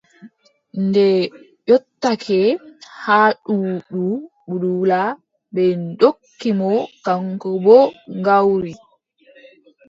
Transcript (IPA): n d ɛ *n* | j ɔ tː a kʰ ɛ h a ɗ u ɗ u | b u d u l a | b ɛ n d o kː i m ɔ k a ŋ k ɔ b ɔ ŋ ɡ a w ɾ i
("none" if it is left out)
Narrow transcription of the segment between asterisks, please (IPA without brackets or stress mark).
none